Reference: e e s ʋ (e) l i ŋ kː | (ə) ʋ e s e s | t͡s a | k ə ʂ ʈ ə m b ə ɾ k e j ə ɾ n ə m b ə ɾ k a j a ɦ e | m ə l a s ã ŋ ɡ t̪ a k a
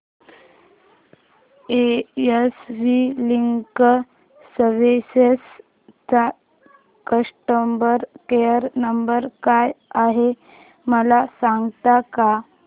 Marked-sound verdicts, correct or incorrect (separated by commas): incorrect, correct